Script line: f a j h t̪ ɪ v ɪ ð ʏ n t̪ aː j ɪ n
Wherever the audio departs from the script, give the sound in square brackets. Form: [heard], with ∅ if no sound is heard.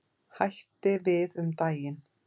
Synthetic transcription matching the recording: [h] a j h t̪ ɪ v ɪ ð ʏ [m] t̪ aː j ɪ n